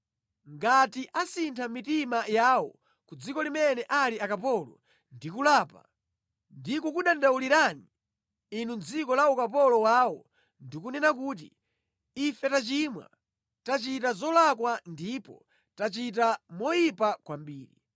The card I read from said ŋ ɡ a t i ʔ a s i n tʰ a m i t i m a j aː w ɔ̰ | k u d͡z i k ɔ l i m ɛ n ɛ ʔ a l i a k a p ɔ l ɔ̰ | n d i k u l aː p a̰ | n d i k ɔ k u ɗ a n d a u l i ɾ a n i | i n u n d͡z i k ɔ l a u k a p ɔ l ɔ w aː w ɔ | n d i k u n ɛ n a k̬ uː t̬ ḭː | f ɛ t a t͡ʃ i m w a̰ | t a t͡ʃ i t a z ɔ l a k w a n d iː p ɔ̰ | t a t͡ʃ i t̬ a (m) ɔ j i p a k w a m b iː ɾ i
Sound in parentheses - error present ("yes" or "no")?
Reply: no